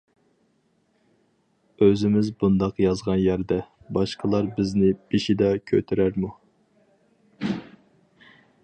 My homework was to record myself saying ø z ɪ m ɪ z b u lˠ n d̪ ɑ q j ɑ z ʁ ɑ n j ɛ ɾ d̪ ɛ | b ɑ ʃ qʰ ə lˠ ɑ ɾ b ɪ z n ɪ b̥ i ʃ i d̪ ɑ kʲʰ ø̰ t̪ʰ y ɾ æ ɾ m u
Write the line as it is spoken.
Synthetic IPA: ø z ɪ m ɪ z b u n d̪ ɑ q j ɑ z ʁ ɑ n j æ ɾ d̪ ɛ | b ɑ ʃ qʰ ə lˠ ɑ ɾ b ɪ z n ɪ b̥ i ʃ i d̪ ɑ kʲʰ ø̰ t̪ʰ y ɾ æ ɾ m u